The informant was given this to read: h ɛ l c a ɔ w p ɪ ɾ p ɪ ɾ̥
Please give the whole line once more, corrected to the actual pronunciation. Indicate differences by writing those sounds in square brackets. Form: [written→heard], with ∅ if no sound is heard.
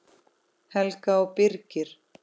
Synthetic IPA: h ɛ l [c→k] a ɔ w p ɪ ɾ [p→c] ɪ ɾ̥